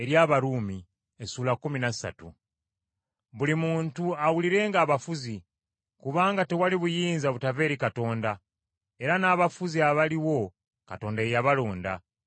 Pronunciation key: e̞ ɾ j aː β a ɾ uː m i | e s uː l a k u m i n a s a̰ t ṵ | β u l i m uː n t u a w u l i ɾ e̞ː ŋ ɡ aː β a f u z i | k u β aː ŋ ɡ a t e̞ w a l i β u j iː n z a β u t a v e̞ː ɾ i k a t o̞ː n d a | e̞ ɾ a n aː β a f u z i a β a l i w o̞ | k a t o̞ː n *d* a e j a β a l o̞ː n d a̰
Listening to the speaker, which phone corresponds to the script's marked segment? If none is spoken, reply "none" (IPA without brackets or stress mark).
d